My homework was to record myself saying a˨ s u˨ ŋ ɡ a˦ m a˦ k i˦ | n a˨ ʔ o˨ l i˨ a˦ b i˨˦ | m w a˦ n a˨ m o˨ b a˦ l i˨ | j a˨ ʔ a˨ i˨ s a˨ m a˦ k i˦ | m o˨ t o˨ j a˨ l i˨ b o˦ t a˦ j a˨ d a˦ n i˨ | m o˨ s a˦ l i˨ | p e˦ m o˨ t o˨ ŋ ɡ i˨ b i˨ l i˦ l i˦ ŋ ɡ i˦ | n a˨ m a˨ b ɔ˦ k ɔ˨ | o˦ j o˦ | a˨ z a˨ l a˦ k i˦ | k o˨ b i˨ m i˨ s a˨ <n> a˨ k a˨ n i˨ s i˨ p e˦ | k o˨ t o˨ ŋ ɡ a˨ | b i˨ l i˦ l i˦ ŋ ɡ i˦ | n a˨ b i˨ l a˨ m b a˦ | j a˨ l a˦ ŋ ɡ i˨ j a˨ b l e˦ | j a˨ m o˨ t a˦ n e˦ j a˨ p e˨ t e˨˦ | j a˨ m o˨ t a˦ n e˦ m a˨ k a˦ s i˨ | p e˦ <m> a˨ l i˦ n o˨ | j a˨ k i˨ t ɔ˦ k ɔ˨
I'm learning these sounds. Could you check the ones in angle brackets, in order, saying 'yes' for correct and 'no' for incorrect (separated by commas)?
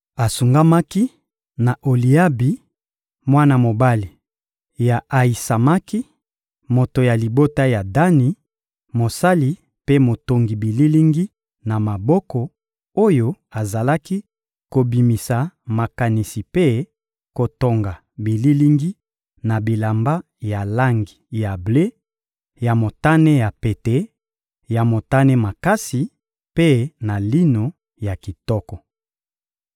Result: no, no